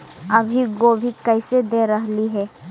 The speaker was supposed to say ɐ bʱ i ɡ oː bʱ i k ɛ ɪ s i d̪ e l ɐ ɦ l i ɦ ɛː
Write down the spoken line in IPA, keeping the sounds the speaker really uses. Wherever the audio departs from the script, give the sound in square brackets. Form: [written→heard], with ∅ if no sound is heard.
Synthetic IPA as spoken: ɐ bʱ i ɡ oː bʱ i k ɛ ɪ s [i→e] d̪ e [l→ɾ] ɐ ɦ l i ɦ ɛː